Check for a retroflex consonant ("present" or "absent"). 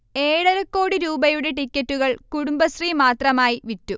present